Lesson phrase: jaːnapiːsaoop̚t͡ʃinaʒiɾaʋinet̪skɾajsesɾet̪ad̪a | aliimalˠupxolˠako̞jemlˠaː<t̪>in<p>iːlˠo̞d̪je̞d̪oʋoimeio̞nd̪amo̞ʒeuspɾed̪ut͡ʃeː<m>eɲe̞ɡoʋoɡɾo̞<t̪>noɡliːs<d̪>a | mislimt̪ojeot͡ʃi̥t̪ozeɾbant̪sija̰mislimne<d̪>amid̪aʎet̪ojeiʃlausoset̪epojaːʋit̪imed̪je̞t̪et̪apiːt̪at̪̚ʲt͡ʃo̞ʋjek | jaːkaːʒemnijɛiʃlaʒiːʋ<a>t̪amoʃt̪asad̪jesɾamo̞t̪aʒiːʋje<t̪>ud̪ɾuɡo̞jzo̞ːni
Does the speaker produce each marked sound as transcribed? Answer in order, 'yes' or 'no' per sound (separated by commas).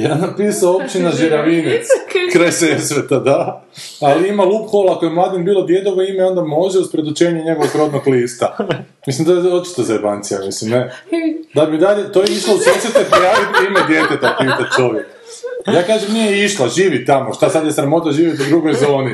no, no, no, no, no, yes, no, yes